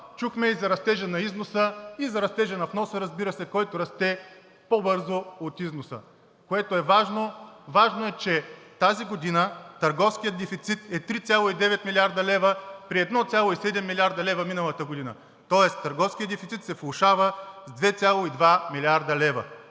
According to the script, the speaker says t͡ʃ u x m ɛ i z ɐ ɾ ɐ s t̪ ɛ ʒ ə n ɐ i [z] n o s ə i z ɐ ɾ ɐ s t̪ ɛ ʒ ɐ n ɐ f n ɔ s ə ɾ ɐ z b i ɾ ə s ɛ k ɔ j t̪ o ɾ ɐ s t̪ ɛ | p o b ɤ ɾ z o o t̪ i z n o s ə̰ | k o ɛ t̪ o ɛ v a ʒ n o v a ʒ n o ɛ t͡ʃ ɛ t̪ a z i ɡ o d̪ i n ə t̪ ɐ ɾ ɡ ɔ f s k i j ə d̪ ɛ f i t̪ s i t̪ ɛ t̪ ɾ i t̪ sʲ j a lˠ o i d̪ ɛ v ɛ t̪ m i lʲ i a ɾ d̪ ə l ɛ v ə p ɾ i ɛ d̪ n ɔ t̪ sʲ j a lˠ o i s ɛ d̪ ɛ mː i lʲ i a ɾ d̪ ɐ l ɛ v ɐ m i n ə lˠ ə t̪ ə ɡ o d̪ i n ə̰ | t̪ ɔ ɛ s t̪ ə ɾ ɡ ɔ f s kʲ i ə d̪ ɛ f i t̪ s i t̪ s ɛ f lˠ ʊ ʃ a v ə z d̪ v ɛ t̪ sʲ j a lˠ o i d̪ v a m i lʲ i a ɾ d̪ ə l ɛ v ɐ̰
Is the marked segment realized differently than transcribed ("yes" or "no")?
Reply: no